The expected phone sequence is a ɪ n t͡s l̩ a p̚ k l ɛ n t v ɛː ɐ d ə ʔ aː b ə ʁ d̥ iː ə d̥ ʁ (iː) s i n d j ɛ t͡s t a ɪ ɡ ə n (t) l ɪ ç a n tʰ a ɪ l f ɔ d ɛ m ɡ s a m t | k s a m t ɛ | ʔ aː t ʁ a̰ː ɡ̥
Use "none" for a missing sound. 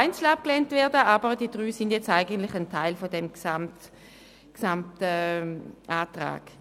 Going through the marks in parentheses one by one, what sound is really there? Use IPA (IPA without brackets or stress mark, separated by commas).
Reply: yː, t